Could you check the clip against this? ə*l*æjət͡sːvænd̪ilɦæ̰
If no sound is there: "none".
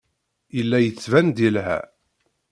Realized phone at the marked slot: lː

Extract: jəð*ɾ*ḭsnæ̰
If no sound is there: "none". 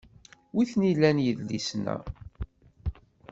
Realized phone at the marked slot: l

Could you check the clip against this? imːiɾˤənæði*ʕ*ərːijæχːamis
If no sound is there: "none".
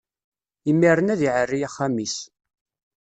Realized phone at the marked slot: ʕ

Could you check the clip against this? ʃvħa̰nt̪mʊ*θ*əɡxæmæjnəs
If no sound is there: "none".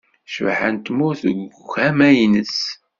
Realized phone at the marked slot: θ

